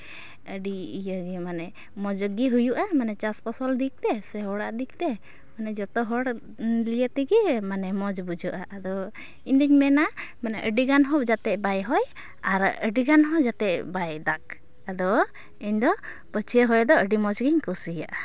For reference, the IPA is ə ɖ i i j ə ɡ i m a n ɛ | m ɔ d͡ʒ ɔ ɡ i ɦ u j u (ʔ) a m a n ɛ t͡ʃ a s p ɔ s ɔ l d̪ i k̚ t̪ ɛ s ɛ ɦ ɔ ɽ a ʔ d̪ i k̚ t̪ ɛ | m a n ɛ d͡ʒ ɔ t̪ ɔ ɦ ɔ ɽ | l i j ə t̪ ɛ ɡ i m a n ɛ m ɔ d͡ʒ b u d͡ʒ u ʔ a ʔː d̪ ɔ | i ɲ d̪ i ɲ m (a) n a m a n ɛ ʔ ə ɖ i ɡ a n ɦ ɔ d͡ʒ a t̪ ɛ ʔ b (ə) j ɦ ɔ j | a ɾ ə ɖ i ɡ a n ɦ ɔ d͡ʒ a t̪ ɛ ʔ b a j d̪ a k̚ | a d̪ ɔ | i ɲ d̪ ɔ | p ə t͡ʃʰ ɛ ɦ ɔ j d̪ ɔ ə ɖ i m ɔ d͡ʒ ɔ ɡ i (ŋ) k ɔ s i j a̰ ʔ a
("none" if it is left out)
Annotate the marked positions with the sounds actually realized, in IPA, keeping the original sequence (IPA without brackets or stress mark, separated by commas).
ʔ, ɛ, a, ɲ